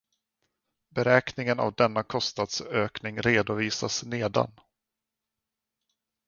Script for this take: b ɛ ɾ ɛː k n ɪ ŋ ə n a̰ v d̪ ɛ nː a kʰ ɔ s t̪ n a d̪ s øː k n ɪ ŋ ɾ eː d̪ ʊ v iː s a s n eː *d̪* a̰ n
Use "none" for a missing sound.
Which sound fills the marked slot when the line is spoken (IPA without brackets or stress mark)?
d̪